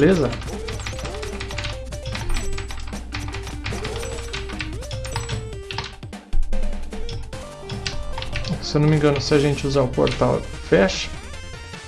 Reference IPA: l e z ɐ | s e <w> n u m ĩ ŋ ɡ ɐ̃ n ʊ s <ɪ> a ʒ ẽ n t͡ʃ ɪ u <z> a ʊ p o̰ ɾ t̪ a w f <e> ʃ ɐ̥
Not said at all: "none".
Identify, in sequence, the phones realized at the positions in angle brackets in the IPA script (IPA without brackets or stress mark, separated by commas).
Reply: w, ɪ, z, ɛ